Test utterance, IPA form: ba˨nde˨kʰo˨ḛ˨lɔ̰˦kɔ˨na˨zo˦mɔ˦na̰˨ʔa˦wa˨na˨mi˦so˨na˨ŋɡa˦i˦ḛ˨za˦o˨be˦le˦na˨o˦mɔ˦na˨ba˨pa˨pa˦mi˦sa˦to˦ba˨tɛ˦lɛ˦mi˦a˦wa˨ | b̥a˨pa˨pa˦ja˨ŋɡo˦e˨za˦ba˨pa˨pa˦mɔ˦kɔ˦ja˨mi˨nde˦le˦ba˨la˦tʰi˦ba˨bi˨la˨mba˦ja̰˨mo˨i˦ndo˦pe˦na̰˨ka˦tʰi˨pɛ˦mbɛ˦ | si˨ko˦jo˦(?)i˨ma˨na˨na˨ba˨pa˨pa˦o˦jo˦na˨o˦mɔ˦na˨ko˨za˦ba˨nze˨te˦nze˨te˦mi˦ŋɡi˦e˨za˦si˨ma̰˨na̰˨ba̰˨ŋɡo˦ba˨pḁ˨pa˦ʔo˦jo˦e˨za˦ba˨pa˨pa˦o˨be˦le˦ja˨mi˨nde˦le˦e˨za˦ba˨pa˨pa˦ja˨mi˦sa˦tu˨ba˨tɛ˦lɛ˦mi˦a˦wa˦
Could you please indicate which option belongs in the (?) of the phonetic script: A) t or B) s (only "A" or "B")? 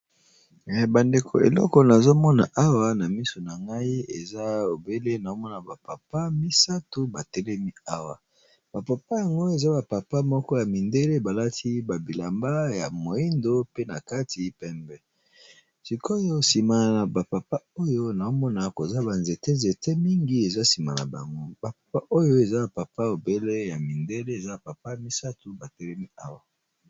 B